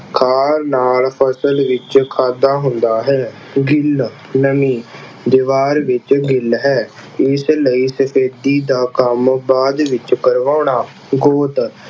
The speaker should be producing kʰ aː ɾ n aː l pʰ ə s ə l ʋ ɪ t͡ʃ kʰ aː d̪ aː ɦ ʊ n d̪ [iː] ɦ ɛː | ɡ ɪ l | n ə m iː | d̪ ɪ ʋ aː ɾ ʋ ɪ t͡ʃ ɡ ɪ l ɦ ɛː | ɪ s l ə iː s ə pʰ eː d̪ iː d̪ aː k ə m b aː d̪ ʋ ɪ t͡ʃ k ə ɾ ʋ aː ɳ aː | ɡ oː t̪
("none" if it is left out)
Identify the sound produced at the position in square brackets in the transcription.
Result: aː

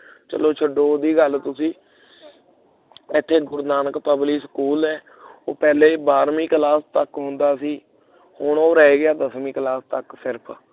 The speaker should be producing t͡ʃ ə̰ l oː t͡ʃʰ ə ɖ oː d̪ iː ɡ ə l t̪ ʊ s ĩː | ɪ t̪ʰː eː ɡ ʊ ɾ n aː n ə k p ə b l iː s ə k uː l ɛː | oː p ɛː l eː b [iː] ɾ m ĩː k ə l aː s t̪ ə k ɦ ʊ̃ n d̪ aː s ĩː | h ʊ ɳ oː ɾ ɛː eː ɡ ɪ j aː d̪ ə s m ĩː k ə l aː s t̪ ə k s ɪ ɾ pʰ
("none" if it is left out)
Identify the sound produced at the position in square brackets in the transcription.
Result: aː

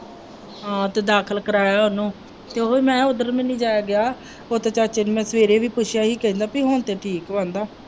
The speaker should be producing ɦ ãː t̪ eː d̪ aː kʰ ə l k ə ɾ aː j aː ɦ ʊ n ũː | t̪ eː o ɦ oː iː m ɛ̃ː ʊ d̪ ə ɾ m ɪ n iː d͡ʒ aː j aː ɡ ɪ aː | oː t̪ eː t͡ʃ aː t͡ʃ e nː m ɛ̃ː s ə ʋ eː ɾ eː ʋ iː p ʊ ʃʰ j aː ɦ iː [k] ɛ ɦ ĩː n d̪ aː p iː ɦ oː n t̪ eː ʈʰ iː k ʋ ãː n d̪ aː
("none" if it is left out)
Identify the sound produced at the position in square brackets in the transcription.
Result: k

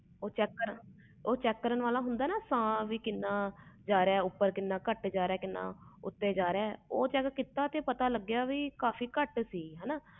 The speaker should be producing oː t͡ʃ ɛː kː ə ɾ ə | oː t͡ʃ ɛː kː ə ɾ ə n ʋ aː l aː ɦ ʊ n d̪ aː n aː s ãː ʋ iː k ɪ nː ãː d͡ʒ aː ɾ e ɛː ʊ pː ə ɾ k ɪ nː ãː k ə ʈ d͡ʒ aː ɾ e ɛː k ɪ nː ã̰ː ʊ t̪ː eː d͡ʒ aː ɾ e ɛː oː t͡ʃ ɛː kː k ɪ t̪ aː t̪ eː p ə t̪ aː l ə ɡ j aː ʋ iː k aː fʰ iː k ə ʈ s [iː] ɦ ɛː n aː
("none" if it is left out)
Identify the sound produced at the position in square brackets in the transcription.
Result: iː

